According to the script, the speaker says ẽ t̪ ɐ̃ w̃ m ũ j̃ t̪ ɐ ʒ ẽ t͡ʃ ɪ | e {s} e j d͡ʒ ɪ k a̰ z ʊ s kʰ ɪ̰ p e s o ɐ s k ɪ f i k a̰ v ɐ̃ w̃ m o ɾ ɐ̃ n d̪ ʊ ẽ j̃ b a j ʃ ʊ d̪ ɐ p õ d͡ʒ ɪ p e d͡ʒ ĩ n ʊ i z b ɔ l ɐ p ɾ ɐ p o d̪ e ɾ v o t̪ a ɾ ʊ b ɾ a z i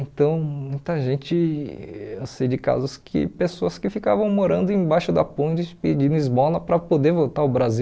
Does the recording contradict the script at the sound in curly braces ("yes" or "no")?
no